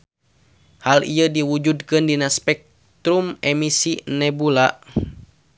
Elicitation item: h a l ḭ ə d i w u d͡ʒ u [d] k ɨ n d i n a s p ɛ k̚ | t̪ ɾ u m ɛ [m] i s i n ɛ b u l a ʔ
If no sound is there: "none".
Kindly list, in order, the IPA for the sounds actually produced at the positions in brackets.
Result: d, m

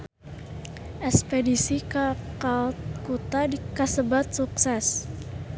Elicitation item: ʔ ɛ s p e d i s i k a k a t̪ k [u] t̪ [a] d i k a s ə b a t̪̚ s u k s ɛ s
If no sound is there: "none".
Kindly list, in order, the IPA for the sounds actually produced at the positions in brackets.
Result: u, a

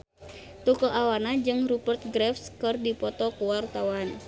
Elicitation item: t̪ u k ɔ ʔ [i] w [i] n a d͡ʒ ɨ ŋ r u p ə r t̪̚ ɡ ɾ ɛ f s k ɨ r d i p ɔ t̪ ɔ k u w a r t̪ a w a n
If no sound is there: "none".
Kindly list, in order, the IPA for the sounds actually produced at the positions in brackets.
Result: a, a

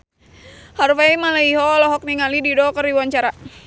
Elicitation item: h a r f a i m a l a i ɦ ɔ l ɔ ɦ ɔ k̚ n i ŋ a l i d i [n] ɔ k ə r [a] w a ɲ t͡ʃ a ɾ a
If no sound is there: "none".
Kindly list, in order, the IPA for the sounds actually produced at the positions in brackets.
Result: d, i

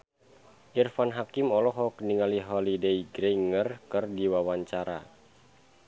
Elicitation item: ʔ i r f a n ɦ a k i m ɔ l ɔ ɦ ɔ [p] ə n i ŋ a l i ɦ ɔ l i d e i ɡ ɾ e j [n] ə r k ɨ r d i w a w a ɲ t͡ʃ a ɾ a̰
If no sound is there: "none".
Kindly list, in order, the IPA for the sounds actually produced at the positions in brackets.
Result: k, ŋ

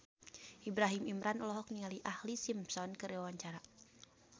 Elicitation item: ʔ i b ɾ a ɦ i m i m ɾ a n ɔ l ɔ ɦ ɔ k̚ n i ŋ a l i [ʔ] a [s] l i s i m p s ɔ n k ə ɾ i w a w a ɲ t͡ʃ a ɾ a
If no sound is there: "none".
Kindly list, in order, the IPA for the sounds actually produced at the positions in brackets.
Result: ʔ, h

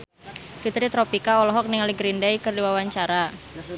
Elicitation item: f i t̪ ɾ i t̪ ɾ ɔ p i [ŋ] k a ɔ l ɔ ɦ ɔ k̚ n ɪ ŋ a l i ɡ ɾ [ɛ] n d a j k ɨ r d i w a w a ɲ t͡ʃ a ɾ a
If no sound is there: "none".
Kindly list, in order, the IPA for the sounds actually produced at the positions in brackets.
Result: none, i

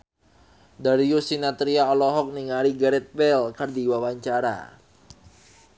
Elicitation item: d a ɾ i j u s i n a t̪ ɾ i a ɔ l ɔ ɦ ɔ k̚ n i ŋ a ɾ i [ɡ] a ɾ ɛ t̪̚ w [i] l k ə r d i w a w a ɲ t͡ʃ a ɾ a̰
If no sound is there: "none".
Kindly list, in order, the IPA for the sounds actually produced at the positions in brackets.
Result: ɡ, ɛ

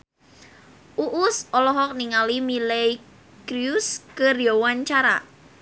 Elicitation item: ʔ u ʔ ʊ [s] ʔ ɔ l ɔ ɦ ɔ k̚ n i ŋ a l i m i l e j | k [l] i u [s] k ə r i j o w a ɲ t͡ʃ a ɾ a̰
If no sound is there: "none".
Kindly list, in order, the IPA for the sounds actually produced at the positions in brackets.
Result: s, ɾ, s

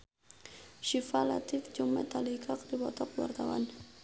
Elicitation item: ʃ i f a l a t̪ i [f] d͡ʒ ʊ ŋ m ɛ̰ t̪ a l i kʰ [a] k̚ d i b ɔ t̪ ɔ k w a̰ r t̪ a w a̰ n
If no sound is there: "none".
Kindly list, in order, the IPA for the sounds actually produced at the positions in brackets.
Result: f, a

